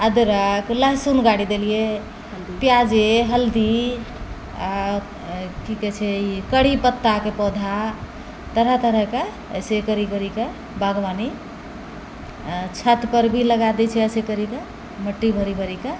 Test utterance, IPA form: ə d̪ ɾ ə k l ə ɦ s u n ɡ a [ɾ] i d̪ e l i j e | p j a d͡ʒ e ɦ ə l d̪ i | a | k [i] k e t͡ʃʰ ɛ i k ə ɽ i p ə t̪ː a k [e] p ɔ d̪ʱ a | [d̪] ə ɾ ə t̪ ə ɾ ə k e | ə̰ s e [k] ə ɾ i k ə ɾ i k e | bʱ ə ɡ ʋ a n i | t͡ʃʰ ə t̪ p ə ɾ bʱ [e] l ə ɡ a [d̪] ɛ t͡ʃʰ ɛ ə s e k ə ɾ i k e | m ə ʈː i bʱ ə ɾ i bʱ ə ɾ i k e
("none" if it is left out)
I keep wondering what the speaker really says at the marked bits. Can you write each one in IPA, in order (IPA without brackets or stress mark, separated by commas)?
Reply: ɽ, i, e, t̪, k, i, d̪